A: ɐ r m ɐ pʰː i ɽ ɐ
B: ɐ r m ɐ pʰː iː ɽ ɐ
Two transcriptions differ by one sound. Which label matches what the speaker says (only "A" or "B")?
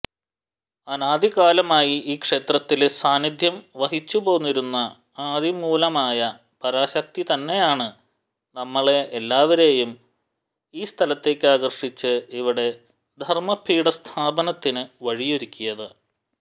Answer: B